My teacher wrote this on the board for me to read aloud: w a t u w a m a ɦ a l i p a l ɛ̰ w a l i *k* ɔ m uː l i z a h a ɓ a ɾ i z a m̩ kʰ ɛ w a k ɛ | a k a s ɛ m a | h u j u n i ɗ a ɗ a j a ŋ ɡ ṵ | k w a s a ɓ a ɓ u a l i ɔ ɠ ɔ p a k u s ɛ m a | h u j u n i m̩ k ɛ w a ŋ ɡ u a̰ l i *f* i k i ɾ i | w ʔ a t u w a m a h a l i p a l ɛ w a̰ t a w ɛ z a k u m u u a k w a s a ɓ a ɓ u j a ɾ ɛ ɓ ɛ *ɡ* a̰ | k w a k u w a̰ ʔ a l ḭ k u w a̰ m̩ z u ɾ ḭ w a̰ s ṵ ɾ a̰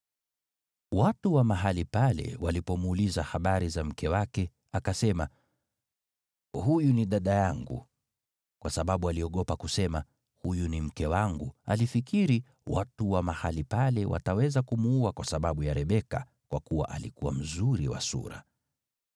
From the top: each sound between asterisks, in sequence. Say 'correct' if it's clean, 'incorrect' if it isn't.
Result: incorrect, correct, incorrect

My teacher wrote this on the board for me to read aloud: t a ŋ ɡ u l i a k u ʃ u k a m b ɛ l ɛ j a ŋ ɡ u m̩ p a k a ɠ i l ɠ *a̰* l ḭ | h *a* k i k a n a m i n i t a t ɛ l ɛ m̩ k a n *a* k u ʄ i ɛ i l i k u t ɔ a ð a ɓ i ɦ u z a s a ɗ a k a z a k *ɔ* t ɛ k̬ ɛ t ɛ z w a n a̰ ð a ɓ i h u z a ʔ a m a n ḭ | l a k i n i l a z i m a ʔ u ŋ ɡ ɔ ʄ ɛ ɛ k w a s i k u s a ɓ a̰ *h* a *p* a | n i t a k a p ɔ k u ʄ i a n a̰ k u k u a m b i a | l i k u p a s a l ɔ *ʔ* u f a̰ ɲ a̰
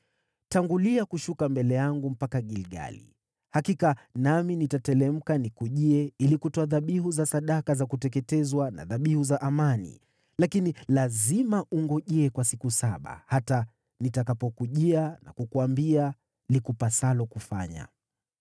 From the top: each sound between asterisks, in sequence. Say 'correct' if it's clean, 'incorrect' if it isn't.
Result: correct, correct, incorrect, incorrect, correct, incorrect, incorrect

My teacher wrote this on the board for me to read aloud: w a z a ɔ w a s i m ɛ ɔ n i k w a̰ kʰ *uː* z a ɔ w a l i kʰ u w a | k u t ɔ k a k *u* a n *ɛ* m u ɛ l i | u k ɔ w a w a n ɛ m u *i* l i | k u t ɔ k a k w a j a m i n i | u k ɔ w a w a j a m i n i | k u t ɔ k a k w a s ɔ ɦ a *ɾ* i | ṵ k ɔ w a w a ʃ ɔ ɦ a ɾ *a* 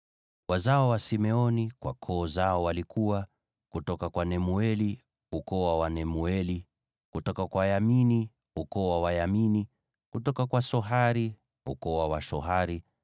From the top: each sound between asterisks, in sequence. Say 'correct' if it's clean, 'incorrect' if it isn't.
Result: incorrect, incorrect, correct, incorrect, correct, incorrect

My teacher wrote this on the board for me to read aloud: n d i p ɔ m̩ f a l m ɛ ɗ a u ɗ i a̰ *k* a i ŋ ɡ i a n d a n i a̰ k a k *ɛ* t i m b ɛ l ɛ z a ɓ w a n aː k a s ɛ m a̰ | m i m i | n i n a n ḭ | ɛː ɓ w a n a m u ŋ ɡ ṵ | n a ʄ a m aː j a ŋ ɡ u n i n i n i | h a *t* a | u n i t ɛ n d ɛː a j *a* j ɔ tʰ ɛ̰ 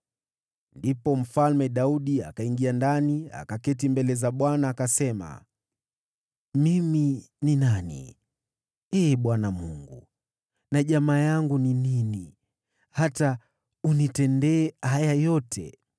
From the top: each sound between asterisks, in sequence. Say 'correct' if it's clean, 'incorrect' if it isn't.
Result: correct, correct, correct, correct

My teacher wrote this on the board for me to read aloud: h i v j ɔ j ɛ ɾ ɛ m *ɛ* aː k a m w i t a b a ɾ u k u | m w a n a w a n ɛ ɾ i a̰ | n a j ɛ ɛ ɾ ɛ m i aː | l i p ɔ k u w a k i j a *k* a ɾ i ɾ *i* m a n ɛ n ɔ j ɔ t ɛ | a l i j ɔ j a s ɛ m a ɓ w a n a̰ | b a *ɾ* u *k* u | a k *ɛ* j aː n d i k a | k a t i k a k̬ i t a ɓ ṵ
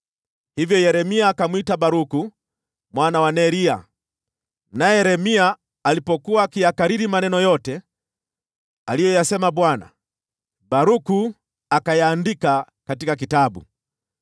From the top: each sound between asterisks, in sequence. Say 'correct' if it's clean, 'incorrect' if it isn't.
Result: incorrect, correct, correct, correct, correct, incorrect

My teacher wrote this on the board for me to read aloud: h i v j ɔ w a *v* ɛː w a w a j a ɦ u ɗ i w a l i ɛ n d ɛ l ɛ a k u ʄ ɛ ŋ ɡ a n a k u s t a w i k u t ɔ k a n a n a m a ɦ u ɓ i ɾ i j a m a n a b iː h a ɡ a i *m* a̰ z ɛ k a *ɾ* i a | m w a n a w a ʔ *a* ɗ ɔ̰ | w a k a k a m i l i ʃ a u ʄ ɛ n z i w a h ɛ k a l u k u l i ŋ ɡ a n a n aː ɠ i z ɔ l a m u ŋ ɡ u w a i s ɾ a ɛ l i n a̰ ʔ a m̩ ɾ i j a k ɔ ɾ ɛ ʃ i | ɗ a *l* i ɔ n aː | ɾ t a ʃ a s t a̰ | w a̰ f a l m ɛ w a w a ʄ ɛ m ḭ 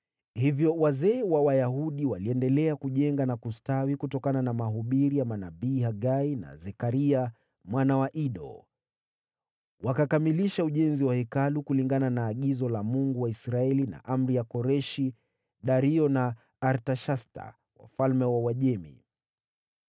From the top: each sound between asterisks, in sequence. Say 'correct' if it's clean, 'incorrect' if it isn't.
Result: incorrect, incorrect, correct, incorrect, incorrect

